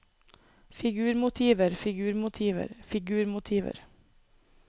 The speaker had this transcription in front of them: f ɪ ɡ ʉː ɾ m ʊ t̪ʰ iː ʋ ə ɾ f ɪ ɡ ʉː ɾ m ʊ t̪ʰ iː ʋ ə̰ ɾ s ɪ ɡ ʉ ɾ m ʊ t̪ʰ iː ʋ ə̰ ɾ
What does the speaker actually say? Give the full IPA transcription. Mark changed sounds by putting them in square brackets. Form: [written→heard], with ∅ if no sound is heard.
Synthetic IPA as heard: f ɪ ɡ ʉː ɾ m ʊ t̪ʰ iː ʋ ə ɾ f ɪ ɡ ʉː ɾ m ʊ t̪ʰ iː ʋ ə̰ ɾ [s→f] ɪ ɡ [ʉ→ʉː] ɾ m ʊ t̪ʰ iː ʋ ə̰ ɾ